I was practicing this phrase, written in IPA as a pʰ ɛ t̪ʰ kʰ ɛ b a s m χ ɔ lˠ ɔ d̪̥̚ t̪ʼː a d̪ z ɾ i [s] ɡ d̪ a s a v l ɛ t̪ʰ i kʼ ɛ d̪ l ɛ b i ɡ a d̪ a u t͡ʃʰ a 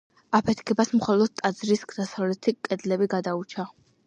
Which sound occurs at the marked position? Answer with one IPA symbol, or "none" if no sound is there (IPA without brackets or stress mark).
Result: s